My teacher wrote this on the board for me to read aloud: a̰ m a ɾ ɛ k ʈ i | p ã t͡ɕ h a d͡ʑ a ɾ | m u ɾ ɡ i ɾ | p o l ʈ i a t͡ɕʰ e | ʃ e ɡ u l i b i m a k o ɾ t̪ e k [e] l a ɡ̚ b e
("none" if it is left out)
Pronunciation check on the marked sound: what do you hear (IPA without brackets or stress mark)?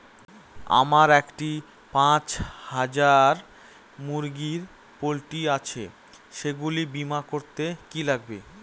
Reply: i